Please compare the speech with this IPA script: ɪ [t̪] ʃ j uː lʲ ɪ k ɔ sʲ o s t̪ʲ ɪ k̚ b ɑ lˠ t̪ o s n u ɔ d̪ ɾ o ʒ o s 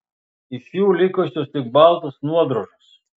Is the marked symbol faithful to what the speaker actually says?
no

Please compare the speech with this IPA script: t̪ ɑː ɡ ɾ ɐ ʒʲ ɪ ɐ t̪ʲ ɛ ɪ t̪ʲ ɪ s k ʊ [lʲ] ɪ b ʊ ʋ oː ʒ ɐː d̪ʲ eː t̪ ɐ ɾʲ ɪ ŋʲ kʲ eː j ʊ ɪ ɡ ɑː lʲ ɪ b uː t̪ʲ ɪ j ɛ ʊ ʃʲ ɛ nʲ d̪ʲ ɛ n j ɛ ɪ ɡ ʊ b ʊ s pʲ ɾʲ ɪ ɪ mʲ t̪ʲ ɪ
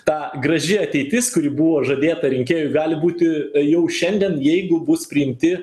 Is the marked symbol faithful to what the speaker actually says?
no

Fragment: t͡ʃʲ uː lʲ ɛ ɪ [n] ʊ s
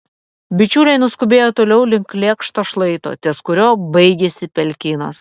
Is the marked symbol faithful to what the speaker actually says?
yes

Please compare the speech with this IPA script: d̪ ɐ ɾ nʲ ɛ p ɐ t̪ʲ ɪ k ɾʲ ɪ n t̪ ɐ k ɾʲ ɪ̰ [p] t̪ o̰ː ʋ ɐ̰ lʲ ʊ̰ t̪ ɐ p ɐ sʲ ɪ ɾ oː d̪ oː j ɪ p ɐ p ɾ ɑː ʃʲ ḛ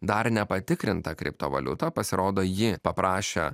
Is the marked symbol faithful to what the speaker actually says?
yes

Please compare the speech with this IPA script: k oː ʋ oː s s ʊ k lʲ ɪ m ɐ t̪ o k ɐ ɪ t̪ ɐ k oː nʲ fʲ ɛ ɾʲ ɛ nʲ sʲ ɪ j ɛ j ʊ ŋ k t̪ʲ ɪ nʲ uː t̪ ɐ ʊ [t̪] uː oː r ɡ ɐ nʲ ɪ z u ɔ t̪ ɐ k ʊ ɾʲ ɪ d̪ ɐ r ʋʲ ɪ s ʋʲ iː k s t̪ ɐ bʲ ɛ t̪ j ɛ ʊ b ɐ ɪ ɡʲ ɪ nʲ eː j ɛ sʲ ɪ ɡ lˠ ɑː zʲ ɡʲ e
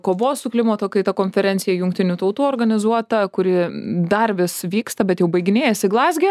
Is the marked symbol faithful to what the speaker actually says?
yes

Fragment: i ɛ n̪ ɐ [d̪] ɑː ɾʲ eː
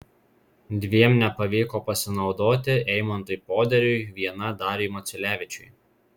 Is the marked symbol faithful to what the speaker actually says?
yes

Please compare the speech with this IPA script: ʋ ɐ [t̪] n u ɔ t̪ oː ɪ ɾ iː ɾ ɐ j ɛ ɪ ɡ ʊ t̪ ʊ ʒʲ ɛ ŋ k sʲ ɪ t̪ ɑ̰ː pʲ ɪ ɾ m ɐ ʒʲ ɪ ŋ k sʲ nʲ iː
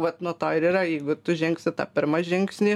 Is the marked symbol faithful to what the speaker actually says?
yes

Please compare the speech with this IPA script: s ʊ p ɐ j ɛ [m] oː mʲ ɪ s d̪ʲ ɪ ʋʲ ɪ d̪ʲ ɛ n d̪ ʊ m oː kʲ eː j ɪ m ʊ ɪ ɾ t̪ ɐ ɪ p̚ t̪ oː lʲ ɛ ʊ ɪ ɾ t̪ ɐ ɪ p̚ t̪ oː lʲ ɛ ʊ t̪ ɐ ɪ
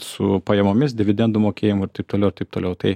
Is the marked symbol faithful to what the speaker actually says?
yes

